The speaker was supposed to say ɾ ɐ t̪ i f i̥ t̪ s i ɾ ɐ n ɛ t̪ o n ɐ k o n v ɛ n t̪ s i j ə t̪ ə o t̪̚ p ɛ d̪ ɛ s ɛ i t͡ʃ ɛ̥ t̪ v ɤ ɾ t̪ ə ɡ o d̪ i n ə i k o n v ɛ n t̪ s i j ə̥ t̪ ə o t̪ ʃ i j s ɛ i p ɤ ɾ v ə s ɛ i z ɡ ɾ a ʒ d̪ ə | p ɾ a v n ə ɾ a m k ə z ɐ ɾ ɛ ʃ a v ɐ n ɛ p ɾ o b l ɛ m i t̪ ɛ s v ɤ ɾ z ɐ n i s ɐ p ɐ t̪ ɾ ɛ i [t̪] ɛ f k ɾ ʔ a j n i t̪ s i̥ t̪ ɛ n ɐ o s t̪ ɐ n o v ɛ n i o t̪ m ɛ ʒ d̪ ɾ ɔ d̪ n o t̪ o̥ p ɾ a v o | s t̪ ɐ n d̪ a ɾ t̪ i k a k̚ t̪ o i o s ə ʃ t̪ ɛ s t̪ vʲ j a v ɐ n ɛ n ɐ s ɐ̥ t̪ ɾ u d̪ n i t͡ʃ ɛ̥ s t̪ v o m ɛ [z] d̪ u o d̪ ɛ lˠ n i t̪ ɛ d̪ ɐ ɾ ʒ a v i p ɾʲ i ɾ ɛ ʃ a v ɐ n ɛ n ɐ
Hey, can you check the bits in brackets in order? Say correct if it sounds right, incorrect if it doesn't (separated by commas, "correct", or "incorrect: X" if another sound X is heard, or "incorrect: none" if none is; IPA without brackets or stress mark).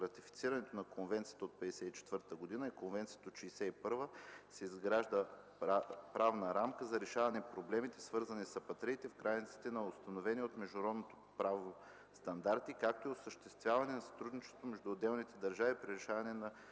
correct, incorrect: ʒ